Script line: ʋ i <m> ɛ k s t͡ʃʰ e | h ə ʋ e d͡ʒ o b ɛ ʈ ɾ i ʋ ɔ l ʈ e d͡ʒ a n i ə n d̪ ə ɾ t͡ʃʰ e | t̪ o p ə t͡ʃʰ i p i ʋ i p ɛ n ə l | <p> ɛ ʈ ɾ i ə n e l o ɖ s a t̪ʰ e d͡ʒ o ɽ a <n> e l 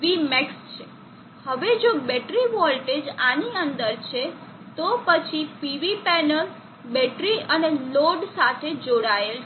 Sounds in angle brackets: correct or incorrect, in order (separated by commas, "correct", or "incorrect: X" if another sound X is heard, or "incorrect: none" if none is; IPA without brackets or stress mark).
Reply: correct, incorrect: b, incorrect: none